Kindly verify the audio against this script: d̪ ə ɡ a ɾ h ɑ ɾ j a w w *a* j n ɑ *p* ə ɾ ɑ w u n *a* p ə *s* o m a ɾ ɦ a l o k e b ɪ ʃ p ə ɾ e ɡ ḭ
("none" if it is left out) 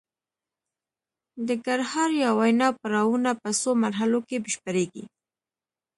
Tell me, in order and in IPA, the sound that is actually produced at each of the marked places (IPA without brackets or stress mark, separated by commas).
a, p, a, s